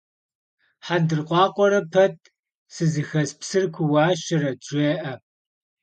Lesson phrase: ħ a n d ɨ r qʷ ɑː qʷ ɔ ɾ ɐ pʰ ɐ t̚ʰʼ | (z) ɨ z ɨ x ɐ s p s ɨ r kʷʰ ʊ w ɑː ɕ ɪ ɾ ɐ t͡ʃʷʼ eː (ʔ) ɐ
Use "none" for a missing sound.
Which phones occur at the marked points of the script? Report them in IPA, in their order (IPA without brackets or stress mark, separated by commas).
s, ʔ